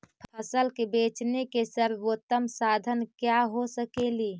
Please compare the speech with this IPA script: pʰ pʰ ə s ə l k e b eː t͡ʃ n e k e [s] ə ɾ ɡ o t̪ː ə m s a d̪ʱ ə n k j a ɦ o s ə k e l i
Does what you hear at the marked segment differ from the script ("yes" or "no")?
no